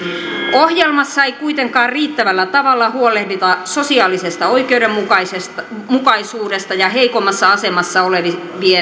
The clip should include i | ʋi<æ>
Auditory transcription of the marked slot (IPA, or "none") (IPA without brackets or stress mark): e